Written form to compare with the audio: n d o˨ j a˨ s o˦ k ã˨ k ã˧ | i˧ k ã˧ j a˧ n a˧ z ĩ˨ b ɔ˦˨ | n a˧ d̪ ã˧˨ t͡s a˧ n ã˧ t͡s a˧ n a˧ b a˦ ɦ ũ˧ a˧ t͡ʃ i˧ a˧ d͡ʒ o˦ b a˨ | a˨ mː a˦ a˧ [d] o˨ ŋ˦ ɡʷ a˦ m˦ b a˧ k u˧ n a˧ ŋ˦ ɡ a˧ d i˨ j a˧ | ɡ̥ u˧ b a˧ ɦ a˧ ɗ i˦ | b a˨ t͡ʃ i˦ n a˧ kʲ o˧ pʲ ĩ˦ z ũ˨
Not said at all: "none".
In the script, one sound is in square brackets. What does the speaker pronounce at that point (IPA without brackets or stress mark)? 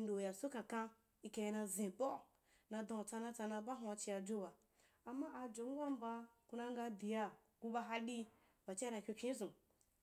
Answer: d͡ʒ